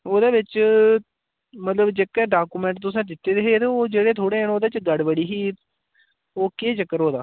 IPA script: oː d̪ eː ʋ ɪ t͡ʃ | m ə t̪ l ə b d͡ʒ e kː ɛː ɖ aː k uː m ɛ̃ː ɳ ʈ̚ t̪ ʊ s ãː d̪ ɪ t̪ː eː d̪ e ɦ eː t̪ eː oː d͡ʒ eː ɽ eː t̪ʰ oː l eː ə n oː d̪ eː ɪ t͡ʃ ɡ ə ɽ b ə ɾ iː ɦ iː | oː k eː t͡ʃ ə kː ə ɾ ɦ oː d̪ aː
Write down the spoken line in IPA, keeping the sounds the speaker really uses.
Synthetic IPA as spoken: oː d̪ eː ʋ ɪ t͡ʃ | m ə t̪ l ə b d͡ʒ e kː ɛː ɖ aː k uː m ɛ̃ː ɳ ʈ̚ t̪ ʊ s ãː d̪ ɪ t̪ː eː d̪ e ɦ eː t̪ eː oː d͡ʒ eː ɽ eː t̪ʰ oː ɽ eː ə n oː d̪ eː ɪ t͡ʃ ɡ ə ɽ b ə ɽ iː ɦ iː | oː k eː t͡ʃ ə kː ə ɾ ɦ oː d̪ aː